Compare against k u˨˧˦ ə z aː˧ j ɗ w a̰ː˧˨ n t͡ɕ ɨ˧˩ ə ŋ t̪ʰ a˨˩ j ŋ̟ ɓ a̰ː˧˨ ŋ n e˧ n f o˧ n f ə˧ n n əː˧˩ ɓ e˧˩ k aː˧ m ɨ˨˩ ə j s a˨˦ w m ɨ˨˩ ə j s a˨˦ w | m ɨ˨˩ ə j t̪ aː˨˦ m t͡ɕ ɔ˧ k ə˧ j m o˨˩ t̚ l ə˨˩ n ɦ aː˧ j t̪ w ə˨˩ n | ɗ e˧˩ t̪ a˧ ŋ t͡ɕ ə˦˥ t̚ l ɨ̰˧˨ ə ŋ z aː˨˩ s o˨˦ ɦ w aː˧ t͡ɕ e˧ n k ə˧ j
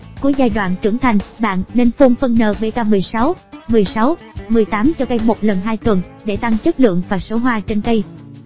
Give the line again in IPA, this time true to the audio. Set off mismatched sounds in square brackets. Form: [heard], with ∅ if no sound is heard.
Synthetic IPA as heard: k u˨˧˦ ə z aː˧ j ɗ w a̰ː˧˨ n t͡ɕ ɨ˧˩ ə ŋ t̪ʰ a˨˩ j ŋ̟ ɓ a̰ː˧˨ [n] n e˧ n f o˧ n f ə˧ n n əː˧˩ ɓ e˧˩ k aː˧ m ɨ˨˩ ə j s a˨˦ w m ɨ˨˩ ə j s a˨˦ w | m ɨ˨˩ ə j t̪ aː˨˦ m t͡ɕ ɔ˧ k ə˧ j m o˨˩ t̚ l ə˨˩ n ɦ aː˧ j t̪ w ə˨˩ n | ɗ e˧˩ t̪ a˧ ŋ t͡ɕ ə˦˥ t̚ l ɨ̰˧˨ ə ŋ [v] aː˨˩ s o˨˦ ɦ w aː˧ t͡ɕ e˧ n k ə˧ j

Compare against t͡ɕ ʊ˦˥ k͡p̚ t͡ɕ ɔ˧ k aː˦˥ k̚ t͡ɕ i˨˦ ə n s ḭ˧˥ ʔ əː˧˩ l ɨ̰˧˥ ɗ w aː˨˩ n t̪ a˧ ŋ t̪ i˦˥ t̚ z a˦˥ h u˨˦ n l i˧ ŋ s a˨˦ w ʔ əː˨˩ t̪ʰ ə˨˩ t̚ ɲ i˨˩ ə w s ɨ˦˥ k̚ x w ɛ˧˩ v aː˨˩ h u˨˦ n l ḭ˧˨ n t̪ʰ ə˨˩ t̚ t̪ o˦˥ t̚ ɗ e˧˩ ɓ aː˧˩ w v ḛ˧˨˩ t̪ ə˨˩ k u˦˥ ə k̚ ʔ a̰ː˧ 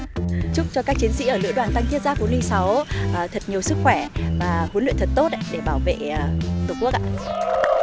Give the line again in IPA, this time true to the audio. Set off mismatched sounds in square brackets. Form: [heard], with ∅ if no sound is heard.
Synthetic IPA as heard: t͡ɕ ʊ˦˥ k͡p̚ t͡ɕ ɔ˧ k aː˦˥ k̚ t͡ɕ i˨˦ ə n s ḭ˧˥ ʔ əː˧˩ l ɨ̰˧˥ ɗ w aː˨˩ n t̪ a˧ ŋ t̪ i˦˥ t̚ z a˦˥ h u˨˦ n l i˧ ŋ s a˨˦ w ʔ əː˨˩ t̪ʰ ə˨˩ t̚ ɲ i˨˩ ə w s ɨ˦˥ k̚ x w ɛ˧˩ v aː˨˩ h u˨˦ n l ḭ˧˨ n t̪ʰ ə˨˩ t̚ t̪ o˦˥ t̚ ɗ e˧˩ ɓ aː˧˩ w v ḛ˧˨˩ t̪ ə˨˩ k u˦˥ ə k̚ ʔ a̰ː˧

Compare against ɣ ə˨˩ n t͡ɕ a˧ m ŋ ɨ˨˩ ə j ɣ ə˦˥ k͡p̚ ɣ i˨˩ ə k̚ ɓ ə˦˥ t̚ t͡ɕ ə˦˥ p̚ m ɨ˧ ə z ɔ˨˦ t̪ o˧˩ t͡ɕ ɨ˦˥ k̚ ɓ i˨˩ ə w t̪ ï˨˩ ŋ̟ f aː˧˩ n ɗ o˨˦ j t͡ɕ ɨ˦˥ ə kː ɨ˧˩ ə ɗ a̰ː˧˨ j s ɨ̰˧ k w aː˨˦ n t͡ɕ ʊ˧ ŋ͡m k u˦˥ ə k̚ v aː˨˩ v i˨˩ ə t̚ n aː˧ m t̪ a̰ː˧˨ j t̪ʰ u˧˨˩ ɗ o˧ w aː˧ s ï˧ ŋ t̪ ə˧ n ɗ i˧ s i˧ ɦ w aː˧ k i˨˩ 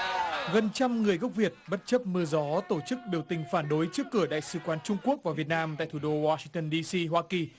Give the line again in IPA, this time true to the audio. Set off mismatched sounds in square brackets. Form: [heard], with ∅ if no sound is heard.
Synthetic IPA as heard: ɣ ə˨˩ n t͡ɕ a˧ m ŋ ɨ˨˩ ə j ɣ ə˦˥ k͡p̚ [v] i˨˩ ə [t̚] ɓ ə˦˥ t̚ t͡ɕ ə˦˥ p̚ m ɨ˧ ə z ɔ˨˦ t̪ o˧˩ t͡ɕ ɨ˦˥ k̚ ɓ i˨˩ ə w t̪ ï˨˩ ŋ̟ f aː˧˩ n ɗ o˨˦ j t͡ɕ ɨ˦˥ ə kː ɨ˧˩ ə ɗ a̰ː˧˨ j s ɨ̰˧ k w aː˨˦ n t͡ɕ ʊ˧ ŋ͡m k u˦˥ ə k̚ v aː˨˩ v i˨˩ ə t̚ n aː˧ m t̪ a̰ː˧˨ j t̪ʰ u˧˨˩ ɗ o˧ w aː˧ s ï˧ ŋ t̪ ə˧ n ɗ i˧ s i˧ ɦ w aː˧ k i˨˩

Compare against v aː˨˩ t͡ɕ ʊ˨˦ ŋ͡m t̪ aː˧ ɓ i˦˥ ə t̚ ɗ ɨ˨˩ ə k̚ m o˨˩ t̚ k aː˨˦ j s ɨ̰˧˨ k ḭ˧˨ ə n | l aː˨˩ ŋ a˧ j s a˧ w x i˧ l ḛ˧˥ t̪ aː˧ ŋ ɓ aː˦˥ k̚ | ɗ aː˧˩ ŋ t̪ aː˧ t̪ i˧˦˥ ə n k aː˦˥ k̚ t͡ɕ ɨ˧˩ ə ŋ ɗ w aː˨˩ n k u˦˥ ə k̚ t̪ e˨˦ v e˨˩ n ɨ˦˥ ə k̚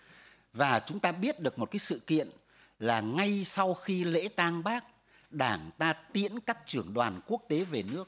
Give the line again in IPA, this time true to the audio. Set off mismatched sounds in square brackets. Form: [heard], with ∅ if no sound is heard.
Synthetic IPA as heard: v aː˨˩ t͡ɕ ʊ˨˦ ŋ͡m t̪ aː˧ ɓ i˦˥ ə t̚ ɗ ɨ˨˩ ə k̚ m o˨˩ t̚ k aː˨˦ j s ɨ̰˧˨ k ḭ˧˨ ə n | l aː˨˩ ŋ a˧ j s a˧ w x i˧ l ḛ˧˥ t̪ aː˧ ŋ ɓ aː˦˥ k̚ | ɗ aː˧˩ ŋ t̪ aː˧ t̪ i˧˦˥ ə n k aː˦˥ k̚ t͡ɕ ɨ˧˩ ə ŋ ɗ w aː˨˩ n k u˦˥ ə k̚ t̪ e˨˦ v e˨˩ n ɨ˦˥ ə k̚

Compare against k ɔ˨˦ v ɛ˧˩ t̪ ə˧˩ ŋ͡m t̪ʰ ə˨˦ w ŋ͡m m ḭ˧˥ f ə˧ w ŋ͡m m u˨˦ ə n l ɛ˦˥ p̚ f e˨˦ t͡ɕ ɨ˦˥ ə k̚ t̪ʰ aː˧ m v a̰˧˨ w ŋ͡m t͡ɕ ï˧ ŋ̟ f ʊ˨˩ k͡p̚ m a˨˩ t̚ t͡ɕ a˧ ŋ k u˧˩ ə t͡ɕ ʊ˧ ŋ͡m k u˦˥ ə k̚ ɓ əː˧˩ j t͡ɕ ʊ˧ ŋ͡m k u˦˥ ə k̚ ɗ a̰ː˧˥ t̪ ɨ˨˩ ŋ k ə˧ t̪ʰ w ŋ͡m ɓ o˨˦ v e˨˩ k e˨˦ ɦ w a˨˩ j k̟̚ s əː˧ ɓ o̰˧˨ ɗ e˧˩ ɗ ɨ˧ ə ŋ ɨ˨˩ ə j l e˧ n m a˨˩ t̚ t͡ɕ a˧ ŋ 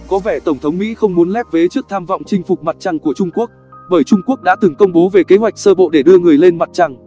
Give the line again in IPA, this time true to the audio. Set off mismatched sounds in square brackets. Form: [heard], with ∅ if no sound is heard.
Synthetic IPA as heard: k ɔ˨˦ v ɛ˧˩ t̪ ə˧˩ ŋ͡m t̪ʰ ə˨˦ w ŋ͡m m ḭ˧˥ [x] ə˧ w ŋ͡m m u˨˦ ə n l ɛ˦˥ p̚ [v] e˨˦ t͡ɕ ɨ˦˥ ə k̚ t̪ʰ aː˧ m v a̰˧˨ w ŋ͡m t͡ɕ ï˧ ŋ̟ f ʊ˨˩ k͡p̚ m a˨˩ t̚ t͡ɕ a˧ ŋ k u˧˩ ə t͡ɕ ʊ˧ ŋ͡m k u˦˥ ə k̚ ɓ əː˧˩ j t͡ɕ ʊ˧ ŋ͡m k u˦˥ ə k̚ ɗ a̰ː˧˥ t̪ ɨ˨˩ ŋ k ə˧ [∅] w ŋ͡m ɓ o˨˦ v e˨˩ k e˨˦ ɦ w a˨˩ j k̟̚ s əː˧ ɓ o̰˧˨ ɗ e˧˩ ɗ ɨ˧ ə ŋ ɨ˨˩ ə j l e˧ n m a˨˩ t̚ t͡ɕ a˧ ŋ

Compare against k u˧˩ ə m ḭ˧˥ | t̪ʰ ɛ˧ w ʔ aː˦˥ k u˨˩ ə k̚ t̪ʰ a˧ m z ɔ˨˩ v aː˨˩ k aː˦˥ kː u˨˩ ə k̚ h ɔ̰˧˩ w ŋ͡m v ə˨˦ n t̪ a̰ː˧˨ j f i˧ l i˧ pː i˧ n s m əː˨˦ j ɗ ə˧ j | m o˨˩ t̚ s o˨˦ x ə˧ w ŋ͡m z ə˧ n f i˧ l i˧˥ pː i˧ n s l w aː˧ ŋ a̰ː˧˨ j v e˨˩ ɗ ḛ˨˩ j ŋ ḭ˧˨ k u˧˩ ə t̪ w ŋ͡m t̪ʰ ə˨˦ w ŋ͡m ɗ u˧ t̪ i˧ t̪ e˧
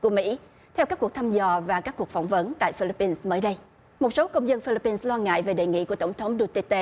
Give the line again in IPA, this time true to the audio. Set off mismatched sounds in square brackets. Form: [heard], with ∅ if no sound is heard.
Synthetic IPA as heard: k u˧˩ ə m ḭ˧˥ | t̪ʰ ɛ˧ w [k] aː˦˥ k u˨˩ ə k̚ t̪ʰ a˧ m z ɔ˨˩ v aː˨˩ k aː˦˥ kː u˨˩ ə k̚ [f] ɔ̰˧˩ w ŋ͡m v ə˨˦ n t̪ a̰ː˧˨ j f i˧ l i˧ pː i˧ n s m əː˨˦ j ɗ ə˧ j | m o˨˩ t̚ s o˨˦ [k] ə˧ w ŋ͡m z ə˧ n f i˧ l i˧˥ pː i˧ n s l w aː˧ ŋ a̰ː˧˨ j v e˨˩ ɗ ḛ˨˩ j ŋ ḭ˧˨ k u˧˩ ə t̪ w ŋ͡m t̪ʰ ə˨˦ w ŋ͡m ɗ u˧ t̪ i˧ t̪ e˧

